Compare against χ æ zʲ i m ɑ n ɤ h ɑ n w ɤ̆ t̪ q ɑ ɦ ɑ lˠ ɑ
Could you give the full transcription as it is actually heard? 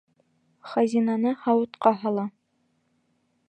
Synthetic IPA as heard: χ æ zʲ i n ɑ n ɤ h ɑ w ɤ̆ t̪ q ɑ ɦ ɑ lˠ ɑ